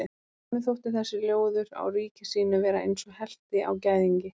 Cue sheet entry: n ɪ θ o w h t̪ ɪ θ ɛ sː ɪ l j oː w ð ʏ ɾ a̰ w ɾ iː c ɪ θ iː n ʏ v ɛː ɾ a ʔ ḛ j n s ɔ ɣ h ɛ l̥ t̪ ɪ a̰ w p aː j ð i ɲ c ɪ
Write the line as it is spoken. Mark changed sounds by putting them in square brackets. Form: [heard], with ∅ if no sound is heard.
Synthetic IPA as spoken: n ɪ θ o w h t̪ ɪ θ ɛ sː ɪ l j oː w ð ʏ ɾ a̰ w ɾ iː c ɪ [s] iː n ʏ v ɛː ɾ a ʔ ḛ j n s ɔ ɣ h ɛ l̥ t̪ ɪ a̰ w [c] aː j ð i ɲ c ɪ